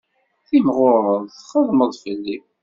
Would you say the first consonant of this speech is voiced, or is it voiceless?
voiceless